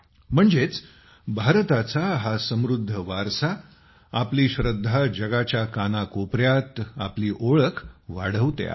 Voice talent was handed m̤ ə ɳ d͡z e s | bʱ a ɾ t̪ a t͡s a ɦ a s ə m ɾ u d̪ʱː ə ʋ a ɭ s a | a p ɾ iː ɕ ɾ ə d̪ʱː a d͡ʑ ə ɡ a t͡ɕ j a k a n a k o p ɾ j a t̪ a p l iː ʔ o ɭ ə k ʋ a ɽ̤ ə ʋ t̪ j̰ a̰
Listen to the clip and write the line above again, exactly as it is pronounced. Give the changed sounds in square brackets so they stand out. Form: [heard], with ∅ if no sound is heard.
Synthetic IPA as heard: m̤ ə ɳ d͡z e [t͡s] | bʱ a ɾ t̪ a t͡s a ɦ a s ə m ɾ u d̪ʱː ə ʋ a [ɾ] s a | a p [l] iː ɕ ɾ ə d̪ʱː a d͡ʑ ə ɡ a t͡ɕ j a k a n a k o p ɾ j a t̪ a p l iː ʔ o ɭ ə k ʋ a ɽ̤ ə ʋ t̪ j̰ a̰

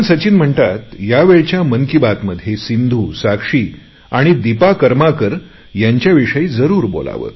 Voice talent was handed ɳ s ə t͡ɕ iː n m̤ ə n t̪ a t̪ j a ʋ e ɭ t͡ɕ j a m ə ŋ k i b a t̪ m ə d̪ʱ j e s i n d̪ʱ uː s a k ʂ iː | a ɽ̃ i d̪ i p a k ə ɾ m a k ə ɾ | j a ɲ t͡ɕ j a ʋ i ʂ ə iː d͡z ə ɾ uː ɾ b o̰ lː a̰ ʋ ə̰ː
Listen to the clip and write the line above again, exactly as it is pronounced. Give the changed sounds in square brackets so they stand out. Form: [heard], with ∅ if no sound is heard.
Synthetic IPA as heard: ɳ s ə t͡ɕ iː n m̤ ə [ɳ] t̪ a t̪ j a ʋ e ɭ t͡ɕ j a m ə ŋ k i b a t̪ m ə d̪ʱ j e s i n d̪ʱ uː s a k ʂ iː | a ɽ̃ i d̪ i p a k ə ɾ m a k ə ɾ | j a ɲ t͡ɕ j a ʋ i ʂ ə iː d͡z ə ɾ uː ɾ b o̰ [l] a̰ ʋ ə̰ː

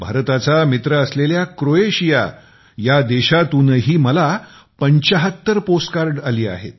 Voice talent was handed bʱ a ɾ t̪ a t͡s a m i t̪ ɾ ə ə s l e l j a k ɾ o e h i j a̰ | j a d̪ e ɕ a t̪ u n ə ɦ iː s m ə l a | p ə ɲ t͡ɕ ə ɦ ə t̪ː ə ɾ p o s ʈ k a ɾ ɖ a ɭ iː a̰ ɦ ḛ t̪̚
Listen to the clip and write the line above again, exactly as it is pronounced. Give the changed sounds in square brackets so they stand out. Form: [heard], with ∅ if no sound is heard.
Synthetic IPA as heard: bʱ a ɾ t̪ a t͡s a m i t̪ ɾ ə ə s l e l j a k ɾ o e [ɕ] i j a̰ | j a d̪ e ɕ a t̪ u n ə ɦ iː [∅] m ə l a | p ə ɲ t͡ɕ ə ɦ ə t̪ː ə ɾ p o s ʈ k a ɾ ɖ a [l] iː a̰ ɦ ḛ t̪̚

